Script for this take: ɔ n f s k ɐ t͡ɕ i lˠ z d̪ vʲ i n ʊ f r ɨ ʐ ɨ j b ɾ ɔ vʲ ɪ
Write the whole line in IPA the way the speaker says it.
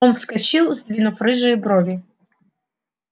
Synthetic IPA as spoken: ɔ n f s k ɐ t͡ɕ i lˠ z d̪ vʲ i n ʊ f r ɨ ʐ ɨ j b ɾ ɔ vʲ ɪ